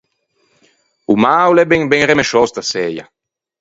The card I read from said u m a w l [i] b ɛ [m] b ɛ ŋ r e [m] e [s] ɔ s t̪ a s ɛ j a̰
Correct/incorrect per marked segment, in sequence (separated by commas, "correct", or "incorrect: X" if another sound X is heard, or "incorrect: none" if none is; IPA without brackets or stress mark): incorrect: ɛ, incorrect: ŋ, correct, incorrect: ʃ